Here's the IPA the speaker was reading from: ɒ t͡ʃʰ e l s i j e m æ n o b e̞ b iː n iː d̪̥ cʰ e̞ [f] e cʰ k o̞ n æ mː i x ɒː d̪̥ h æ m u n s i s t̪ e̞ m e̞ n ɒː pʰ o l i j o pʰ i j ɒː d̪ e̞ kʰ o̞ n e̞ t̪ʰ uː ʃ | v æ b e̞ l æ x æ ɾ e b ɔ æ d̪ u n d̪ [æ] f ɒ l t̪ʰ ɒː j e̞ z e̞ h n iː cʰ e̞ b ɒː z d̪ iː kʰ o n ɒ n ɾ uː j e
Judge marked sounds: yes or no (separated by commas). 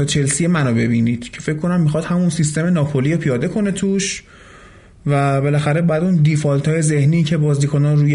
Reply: yes, no